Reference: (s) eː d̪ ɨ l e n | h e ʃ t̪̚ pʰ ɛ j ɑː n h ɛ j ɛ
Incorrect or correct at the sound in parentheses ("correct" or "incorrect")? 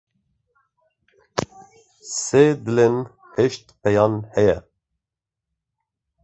correct